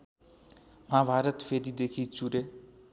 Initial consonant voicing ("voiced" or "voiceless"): voiced